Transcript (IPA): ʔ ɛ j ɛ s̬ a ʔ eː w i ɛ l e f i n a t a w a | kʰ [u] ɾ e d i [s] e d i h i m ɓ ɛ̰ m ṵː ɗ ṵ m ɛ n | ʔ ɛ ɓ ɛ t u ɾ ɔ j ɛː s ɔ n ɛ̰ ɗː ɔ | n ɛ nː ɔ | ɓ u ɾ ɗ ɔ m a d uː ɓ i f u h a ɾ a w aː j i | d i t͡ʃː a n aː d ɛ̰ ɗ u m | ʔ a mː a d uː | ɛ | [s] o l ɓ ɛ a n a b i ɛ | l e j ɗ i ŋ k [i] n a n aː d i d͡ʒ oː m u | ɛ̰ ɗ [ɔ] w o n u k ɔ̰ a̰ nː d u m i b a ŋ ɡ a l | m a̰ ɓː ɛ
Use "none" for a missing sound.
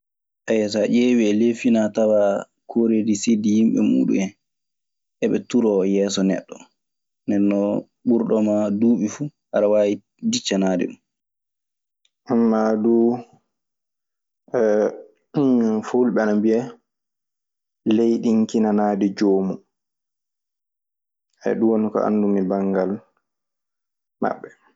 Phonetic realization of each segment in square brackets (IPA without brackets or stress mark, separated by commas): o, s, f, i, u